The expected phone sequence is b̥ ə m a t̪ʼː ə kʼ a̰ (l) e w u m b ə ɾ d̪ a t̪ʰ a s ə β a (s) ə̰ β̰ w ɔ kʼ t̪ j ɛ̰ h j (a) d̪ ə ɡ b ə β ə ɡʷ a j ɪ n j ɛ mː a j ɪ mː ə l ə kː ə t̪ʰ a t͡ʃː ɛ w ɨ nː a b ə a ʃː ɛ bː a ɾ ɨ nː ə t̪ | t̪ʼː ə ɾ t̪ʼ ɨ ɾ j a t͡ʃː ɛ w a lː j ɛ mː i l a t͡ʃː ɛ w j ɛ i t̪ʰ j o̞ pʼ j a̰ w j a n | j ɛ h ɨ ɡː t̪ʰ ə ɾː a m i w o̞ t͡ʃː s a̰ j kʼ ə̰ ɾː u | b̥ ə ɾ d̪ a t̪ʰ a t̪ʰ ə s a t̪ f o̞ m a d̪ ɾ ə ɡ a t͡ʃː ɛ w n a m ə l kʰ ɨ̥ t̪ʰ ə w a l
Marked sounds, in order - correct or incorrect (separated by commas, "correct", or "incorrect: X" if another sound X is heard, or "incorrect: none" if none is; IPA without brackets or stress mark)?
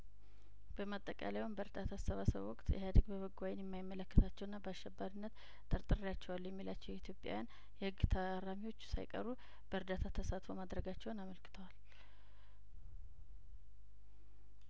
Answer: correct, correct, correct